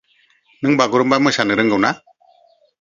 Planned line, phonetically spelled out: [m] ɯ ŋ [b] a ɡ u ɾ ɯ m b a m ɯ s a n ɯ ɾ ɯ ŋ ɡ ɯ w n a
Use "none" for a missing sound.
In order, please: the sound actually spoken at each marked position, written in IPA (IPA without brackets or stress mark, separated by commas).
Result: n, b